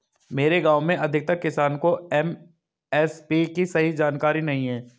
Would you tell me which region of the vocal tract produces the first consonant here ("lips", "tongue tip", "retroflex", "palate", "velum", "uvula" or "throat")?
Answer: lips